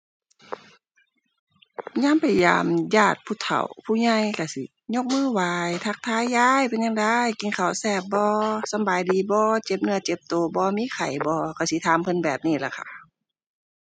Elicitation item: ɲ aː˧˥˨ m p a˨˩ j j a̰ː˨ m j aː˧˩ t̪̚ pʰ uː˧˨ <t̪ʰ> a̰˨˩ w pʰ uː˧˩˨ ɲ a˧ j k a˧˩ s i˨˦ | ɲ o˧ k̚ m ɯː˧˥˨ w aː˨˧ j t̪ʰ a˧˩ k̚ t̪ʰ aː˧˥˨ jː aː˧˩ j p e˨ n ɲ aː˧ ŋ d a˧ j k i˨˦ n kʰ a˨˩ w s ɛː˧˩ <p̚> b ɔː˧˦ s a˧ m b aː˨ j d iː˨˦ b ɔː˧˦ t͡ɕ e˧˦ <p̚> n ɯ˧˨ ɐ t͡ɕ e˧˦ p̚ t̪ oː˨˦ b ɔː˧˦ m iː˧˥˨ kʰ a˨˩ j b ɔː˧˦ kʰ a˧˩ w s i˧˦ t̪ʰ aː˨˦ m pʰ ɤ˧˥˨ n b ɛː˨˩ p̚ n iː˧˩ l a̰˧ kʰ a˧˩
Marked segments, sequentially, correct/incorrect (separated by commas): correct, correct, correct